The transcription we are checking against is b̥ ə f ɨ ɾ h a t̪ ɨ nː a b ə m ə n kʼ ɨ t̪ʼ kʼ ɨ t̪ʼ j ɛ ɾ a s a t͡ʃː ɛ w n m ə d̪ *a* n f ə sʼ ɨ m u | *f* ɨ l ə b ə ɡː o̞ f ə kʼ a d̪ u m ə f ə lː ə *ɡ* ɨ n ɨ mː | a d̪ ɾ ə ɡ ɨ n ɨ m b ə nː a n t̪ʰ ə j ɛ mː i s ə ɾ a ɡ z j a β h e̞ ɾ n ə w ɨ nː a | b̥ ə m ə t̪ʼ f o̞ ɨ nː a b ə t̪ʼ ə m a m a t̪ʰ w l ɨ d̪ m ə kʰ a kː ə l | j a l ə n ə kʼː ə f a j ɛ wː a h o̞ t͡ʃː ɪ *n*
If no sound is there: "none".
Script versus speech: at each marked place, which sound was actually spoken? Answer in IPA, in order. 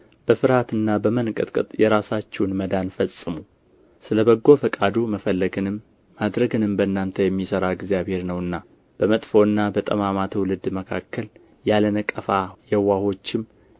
a, s, ɡ, m

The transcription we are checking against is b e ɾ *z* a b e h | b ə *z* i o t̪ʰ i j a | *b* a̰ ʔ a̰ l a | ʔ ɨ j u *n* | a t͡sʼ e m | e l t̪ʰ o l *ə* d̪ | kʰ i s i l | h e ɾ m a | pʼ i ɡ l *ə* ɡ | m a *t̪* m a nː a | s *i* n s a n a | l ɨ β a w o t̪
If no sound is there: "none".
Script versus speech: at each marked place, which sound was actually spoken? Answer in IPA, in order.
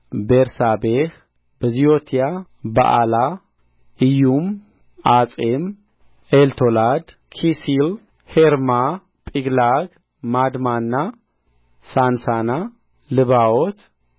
s, z, b, m, a, a, d̪, a

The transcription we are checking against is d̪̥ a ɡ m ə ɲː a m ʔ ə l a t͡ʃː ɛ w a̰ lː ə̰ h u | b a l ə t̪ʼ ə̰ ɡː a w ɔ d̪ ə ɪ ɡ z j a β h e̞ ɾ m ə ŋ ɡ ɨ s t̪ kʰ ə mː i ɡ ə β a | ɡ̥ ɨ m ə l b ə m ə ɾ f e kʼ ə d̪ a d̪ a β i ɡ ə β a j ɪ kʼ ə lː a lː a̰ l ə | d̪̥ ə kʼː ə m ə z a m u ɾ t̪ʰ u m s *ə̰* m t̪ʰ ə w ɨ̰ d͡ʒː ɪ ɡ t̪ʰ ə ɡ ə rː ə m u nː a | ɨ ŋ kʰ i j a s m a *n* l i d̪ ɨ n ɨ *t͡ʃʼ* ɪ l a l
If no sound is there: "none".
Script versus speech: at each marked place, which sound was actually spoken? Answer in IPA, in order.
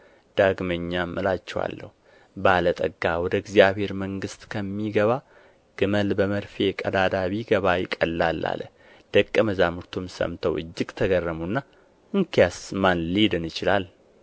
ə̰, n, t͡ʃ

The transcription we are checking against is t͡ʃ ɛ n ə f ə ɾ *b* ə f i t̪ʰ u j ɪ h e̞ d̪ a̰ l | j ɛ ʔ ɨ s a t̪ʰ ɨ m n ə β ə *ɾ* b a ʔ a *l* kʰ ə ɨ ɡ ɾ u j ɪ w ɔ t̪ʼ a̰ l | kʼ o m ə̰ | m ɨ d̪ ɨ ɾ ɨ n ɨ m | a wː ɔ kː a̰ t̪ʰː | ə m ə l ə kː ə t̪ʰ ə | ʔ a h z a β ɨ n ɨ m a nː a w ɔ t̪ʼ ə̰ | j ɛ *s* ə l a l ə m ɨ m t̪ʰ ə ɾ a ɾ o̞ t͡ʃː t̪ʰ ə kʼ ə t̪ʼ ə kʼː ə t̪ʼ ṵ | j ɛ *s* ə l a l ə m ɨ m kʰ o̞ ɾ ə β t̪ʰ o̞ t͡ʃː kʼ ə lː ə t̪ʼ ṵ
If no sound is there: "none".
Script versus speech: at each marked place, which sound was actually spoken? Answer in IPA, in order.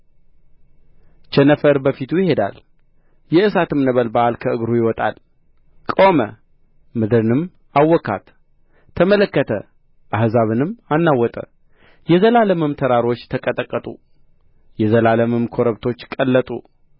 b, l, l, z, z

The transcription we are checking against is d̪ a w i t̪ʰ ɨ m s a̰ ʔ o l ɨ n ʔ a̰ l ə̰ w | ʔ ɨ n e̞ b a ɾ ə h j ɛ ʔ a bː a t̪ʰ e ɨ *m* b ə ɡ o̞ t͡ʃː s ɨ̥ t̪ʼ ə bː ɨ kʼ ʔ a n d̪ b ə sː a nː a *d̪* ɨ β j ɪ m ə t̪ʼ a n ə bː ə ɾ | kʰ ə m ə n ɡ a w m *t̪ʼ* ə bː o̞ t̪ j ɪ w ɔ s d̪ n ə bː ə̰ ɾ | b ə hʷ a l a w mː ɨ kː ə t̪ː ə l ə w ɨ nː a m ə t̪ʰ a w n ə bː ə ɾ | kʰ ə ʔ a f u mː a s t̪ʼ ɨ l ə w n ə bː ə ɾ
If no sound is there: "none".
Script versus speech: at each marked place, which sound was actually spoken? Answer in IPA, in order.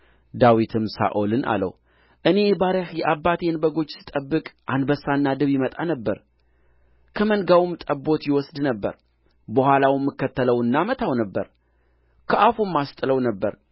n, d̪, t̪ʼ

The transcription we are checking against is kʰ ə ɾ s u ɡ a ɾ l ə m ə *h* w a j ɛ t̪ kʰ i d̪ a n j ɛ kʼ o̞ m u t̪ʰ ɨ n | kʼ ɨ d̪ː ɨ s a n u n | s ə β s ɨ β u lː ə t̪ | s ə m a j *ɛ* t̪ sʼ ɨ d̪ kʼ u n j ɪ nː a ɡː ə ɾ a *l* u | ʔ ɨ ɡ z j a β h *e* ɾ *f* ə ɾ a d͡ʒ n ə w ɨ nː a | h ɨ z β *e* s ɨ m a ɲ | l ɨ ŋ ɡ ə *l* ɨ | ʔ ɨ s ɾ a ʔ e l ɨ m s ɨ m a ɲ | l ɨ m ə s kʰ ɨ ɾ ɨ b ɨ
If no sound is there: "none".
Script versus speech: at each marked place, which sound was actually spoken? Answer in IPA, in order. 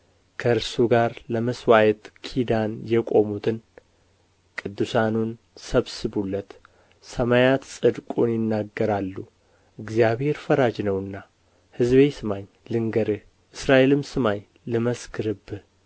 s, a, lː, e, f, e, ɾ

